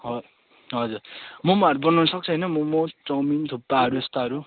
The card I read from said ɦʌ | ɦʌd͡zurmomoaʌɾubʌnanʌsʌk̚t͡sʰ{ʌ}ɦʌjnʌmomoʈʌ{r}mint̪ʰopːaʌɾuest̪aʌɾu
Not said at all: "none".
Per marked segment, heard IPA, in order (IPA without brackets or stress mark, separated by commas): ʌ, none